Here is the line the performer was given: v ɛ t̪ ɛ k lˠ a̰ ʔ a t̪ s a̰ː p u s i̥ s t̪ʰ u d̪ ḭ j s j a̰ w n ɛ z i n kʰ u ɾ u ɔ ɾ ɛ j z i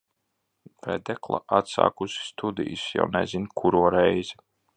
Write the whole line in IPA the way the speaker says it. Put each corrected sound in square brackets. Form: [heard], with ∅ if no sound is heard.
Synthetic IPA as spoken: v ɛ [d̪] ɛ k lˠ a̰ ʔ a t̪ s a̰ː [k] u s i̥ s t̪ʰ u d̪ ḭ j s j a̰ w n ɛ z i n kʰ u ɾ u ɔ ɾ ɛ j z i